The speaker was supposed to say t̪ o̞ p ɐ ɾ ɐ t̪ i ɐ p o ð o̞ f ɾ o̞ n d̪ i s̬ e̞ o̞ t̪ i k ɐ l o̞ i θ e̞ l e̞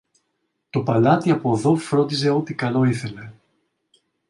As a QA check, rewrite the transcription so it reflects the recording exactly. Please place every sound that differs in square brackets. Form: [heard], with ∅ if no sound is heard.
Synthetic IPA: t̪ o̞ p ɐ [l] ɐ t̪ i ɐ p o ð o̞ f ɾ o̞ n d̪ i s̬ e̞ o̞ t̪ i k ɐ l o̞ i θ e̞ l e̞